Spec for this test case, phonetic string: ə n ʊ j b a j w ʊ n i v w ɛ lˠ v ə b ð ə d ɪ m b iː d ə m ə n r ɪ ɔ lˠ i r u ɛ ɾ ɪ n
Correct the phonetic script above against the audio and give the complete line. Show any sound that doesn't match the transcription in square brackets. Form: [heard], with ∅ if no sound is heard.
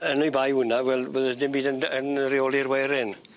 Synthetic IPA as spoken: ə n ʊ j b a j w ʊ n [a] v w ɛ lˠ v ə [∅] ð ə d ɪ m b iː d ə [n] ə n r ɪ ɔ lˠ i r [w] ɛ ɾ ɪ n